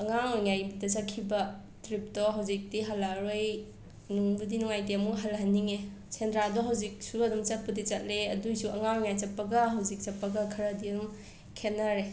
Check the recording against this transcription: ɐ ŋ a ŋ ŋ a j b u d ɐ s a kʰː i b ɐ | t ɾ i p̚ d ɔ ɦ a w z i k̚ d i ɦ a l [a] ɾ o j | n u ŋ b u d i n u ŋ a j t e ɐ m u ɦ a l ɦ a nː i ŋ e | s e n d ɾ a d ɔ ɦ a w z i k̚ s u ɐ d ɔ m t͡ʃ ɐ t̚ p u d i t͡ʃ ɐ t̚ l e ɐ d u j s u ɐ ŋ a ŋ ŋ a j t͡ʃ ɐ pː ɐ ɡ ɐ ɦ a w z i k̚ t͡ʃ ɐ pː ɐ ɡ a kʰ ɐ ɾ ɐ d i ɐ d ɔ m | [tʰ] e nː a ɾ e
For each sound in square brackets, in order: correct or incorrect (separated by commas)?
correct, incorrect